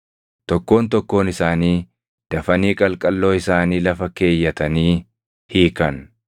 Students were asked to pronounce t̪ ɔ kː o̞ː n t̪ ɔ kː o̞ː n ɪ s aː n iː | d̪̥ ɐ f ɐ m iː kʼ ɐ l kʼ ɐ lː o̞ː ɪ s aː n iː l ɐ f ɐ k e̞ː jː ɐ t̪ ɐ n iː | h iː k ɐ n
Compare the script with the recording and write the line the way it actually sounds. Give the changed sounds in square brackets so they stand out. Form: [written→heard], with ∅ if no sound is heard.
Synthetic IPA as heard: t̪ ɔ kː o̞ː n t̪ ɔ kː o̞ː n ɪ s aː n iː | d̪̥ ɐ f ɐ [m→n] iː kʼ ɐ l kʼ ɐ lː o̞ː ɪ s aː n iː l ɐ f ɐ k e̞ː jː ɐ t̪ ɐ n iː | h iː k ɐ n